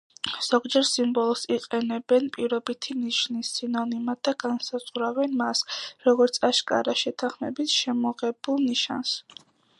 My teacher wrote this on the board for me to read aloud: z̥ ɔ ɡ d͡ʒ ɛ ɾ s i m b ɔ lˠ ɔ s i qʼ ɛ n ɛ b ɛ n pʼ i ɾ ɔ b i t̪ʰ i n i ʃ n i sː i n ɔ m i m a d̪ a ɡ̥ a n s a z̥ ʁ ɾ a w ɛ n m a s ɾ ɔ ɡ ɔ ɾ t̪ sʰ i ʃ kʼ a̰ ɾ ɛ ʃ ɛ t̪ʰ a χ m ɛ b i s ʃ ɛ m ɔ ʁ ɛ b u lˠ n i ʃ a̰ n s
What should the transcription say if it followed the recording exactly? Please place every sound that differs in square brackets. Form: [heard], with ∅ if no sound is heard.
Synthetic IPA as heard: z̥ ɔ ɡ d͡ʒ ɛ ɾ s i m b ɔ lˠ ɔ s i qʼ ɛ n ɛ b ɛ n pʼ i ɾ ɔ b i t̪ʰ i n i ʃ n i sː i n ɔ [n] i m a d̪ a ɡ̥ a n s a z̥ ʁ ɾ a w ɛ n m a s ɾ ɔ ɡ ɔ ɾ t̪ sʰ [a] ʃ kʼ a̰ ɾ [a] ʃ ɛ t̪ʰ a χ m ɛ b i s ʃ ɛ m ɔ ʁ ɛ b u lˠ n i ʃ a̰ n s